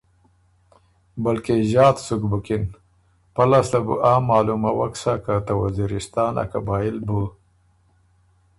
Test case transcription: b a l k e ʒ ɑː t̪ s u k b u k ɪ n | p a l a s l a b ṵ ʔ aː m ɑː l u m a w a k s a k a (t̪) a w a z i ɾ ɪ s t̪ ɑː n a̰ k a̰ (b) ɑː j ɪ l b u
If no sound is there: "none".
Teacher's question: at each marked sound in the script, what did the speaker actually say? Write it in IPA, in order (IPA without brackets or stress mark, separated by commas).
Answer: t̪, b